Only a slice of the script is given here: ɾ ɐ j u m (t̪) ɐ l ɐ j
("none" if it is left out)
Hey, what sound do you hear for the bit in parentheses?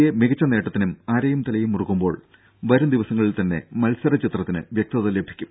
t̪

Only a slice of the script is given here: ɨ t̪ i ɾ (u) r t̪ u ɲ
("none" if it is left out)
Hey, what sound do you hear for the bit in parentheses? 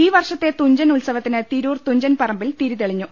uː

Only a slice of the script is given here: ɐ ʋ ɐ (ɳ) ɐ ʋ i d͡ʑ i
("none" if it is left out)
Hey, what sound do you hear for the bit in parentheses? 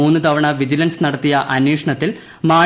ɳ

